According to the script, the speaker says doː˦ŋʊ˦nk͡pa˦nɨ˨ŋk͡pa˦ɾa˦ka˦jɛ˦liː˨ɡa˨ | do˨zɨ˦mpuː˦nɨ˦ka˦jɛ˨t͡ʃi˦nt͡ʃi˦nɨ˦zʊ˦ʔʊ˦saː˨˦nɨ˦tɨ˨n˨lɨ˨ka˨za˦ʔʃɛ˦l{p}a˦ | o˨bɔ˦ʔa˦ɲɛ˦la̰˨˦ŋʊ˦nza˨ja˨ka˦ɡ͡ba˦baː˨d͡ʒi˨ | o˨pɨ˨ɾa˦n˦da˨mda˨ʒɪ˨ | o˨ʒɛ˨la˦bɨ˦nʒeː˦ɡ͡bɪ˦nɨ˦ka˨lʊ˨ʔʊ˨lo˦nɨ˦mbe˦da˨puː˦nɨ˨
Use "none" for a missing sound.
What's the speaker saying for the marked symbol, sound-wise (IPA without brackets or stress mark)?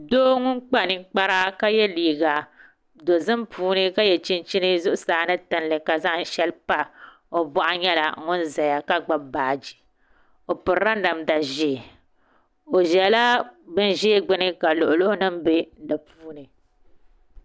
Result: p